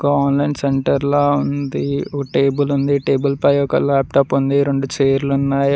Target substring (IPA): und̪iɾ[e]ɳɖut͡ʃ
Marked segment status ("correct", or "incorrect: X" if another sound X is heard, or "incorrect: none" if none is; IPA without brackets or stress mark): correct